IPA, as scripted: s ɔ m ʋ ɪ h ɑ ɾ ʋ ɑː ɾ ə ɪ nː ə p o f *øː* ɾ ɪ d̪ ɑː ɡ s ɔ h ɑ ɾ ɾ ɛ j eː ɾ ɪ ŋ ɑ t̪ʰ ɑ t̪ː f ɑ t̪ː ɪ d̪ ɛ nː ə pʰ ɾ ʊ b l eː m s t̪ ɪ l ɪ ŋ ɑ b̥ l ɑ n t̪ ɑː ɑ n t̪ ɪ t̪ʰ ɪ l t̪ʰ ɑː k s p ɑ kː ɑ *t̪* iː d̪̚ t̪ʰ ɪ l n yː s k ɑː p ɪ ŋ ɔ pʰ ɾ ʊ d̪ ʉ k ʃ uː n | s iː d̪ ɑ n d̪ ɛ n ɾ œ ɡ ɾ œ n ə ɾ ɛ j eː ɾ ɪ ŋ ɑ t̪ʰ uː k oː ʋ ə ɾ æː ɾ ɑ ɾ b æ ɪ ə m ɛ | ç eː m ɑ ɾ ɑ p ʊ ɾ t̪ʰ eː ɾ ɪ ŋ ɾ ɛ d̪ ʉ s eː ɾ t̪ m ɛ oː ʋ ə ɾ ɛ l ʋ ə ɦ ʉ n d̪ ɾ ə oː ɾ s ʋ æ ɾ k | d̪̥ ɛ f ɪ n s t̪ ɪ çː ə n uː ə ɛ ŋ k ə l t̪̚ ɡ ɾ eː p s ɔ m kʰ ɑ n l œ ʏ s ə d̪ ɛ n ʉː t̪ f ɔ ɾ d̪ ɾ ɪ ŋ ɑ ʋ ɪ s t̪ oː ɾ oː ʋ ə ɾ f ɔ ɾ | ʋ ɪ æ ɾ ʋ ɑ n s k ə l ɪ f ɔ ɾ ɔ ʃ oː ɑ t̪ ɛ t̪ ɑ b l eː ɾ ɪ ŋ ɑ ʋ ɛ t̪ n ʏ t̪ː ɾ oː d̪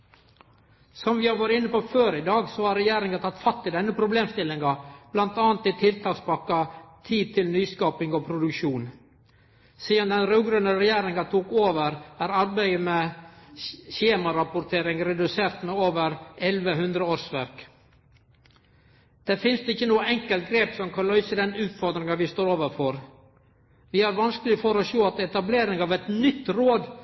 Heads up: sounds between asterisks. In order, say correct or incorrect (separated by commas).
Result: correct, incorrect